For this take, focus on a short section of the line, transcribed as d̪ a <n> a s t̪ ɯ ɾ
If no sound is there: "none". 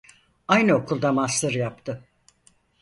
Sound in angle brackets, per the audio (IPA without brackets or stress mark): m